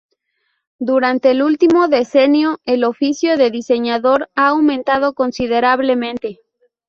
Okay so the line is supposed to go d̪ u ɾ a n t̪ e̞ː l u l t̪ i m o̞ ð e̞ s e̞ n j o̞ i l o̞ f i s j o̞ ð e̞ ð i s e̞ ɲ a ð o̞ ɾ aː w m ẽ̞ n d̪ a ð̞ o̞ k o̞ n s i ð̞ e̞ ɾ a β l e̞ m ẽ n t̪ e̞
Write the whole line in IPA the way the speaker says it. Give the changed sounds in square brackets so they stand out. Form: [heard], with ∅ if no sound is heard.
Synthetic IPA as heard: d̪ u ɾ a n t̪ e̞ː l u l t̪ i m o̞ ð e̞ s e̞ n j o̞ [e] l o̞ f i s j o̞ ð e̞ ð i s e̞ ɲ a ð o̞ ɾ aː w m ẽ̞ n [t̪] a ð̞ o̞ k o̞ n s i ð̞ e̞ ɾ a β l e̞ m ẽ n t̪ e̞